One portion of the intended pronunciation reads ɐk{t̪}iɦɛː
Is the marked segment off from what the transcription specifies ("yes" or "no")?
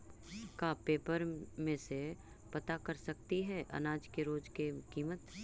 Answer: no